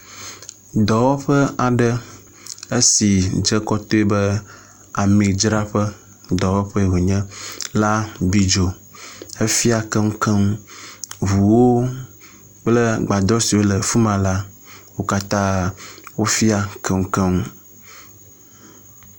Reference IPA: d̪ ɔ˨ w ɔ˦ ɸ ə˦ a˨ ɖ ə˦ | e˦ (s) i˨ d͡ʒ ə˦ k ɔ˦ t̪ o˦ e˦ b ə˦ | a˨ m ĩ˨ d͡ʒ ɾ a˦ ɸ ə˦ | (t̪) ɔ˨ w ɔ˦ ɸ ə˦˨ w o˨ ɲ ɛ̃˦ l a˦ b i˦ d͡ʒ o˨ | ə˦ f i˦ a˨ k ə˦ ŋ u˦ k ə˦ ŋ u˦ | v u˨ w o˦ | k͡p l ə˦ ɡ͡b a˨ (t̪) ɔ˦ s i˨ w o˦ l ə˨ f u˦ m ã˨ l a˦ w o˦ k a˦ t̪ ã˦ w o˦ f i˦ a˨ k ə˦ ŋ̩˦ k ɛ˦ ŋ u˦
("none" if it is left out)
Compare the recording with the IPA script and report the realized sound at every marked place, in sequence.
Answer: s, d̪, d̪

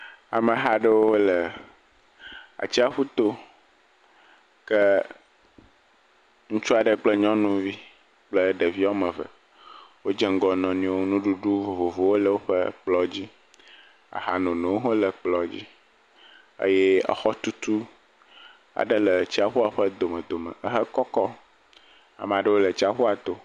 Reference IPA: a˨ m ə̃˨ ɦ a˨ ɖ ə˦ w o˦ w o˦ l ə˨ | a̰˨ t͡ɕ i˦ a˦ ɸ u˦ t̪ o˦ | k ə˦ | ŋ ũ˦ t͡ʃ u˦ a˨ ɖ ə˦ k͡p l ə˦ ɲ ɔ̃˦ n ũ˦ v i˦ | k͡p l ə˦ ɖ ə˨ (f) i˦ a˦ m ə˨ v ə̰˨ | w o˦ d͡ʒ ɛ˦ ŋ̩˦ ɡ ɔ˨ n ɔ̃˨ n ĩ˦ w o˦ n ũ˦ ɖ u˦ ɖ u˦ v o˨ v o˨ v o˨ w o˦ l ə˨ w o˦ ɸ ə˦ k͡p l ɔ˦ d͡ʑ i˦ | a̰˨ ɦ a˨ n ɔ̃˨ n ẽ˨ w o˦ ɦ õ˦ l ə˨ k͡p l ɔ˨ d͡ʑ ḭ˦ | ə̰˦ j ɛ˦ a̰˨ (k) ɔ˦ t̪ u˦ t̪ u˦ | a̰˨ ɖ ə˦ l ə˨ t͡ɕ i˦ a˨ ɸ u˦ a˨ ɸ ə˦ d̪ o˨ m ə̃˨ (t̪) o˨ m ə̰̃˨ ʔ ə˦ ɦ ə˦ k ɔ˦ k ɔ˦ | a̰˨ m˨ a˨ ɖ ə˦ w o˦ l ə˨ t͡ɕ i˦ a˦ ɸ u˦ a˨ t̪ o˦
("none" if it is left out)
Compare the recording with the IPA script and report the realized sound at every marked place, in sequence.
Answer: v, x, d̪

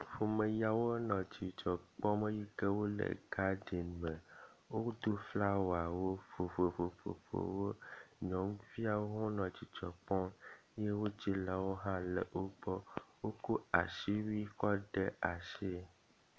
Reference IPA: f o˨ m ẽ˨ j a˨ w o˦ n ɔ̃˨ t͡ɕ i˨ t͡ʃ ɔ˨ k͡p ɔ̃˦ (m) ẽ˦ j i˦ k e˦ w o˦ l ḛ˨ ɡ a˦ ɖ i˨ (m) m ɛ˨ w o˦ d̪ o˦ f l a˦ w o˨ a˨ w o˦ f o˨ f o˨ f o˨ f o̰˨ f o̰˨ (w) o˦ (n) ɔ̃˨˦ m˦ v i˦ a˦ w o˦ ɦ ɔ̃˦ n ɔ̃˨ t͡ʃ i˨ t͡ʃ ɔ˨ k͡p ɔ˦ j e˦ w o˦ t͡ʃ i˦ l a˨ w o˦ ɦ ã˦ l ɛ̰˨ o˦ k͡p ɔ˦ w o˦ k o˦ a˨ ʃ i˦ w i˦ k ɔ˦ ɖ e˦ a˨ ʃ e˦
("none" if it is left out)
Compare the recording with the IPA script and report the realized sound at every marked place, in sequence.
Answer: m, n, w, ɲ

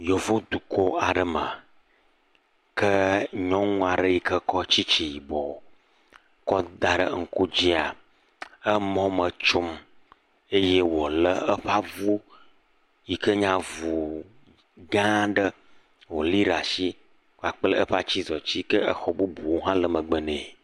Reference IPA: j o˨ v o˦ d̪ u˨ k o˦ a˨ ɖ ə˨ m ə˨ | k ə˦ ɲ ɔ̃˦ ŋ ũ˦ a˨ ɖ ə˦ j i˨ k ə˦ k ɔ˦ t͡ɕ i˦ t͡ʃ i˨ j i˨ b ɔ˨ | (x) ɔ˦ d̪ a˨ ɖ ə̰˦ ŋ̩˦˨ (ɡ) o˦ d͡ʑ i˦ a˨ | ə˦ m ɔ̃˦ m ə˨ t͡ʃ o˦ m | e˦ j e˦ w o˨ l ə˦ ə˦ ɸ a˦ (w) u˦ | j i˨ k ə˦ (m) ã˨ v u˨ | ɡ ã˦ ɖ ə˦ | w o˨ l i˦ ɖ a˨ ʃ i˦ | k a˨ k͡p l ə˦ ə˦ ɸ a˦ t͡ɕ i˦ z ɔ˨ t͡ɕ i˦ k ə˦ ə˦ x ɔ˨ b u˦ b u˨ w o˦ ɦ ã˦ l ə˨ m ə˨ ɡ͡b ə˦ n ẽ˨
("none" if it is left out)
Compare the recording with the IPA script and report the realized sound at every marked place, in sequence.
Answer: k, k, v, ɲ

